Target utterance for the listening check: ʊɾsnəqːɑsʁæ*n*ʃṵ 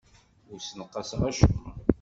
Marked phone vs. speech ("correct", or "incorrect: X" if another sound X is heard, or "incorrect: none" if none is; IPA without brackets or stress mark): incorrect: none